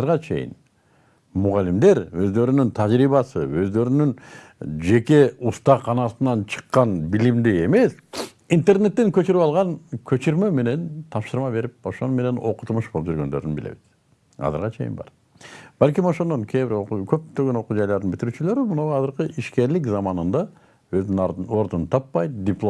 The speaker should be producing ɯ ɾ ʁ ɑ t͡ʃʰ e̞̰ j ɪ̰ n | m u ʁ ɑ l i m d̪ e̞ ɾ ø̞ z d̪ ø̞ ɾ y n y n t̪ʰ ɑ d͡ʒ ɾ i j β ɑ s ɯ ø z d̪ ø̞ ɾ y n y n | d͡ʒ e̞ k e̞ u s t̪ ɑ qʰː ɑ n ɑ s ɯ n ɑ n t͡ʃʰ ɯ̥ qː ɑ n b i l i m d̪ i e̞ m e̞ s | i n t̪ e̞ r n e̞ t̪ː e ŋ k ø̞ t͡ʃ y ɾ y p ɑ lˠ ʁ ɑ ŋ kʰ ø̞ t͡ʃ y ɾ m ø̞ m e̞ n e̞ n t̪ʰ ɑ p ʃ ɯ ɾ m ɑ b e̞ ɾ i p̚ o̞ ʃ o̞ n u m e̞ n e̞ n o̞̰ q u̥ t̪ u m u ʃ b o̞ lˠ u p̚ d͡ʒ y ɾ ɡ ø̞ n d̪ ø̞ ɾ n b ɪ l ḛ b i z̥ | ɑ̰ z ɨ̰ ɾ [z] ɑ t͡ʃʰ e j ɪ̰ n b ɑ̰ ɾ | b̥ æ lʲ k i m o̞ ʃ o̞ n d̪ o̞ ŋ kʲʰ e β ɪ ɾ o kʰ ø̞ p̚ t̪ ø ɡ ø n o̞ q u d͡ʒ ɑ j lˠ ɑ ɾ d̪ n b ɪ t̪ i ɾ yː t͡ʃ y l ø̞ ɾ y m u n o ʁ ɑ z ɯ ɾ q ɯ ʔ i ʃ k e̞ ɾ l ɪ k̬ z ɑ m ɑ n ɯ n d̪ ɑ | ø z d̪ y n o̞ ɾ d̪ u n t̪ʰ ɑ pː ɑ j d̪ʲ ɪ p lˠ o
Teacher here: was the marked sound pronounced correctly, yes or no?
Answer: no